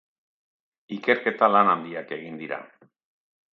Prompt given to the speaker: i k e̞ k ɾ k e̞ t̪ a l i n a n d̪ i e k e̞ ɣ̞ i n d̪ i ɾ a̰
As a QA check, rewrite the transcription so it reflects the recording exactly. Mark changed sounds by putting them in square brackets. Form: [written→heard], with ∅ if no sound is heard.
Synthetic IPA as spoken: i k e̞ [k→∅] ɾ k e̞ t̪ a l [i→a] n a n d̪ i [e→a] k e̞ ɣ̞ i n d̪ i ɾ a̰